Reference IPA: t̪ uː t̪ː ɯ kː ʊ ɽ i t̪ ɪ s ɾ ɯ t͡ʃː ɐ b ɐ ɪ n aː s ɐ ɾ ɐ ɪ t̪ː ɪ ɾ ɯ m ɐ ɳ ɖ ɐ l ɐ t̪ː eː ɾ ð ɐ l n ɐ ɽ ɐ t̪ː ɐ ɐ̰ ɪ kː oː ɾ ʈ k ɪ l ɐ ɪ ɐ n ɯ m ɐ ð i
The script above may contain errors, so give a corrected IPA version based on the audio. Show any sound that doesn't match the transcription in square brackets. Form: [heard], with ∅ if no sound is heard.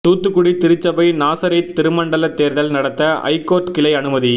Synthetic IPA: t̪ uː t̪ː ɯ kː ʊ ɽ i t̪ ɪ [∅] ɾ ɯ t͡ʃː ɐ b ɐ ɪ n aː s ɐ ɾ ɐ ɪ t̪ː ɪ ɾ ɯ m ɐ ɳ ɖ ɐ l ɐ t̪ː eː ɾ ð ɐ l n ɐ ɽ ɐ t̪ː ɐ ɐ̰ ɪ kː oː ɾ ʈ k ɪ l ɐ ɪ ɐ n ɯ m ɐ ð i